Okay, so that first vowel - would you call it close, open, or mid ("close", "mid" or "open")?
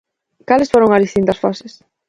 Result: open